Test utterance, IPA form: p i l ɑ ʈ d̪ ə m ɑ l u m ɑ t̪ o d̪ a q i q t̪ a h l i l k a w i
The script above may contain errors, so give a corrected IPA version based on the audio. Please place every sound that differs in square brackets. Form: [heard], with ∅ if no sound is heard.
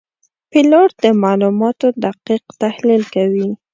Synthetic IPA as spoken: p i l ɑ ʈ d̪ ə m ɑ l u m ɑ t̪ o d̪ a q i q t̪ a h l i l k a w i